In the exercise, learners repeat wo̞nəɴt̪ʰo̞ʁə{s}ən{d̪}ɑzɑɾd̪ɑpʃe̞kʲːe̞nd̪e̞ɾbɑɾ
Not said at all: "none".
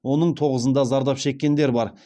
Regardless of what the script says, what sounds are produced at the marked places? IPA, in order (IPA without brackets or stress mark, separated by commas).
z, d̪